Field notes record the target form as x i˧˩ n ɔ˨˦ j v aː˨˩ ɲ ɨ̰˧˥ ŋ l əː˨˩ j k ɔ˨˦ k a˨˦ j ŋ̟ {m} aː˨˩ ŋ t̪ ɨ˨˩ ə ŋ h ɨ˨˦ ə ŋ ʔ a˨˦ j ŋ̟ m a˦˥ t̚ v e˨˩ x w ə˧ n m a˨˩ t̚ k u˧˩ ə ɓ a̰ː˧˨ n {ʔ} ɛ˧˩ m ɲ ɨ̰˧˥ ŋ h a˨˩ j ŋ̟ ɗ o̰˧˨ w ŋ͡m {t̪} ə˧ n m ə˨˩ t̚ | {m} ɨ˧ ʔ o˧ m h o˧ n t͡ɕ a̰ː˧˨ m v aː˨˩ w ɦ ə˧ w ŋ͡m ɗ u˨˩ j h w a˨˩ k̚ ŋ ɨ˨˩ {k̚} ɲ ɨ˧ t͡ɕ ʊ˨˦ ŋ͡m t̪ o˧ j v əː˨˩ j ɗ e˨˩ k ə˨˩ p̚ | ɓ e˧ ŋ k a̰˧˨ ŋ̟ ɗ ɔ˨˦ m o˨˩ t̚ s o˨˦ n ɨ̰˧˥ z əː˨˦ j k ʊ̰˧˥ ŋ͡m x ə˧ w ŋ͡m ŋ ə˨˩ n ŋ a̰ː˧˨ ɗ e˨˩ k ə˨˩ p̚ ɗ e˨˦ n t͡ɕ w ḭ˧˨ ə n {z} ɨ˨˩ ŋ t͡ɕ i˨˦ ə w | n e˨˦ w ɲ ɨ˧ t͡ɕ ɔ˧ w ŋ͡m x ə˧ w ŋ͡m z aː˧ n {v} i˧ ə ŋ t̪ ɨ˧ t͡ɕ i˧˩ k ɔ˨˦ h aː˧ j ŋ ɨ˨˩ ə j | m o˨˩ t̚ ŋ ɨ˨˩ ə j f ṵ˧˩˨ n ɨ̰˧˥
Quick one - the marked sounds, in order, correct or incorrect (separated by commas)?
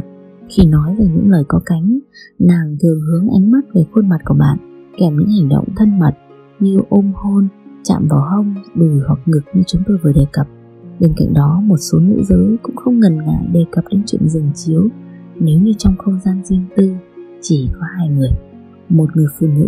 incorrect, incorrect, incorrect, incorrect, correct, correct, incorrect